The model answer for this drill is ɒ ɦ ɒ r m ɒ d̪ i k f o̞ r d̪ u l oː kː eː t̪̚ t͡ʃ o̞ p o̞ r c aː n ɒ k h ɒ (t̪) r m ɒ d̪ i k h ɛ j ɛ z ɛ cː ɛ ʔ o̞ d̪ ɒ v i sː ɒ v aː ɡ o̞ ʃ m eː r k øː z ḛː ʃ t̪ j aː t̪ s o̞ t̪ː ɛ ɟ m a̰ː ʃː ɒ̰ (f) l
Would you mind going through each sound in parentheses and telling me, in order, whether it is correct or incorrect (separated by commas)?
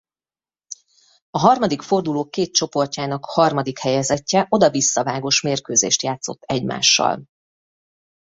incorrect, incorrect